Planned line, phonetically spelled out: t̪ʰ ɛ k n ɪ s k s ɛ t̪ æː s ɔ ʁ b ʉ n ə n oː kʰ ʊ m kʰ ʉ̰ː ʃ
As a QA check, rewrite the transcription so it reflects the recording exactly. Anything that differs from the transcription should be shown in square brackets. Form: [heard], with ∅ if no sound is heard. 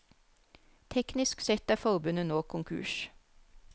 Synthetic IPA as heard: t̪ʰ ɛ k n ɪ s k s ɛ t̪ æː [f] ɔ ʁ b ʉ n ə n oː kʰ ʊ [ŋ] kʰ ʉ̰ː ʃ